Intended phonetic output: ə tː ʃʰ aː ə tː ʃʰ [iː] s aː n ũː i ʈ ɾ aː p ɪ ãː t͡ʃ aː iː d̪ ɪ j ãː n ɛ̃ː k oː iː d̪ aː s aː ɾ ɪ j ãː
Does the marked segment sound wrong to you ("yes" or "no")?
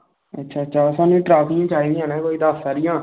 yes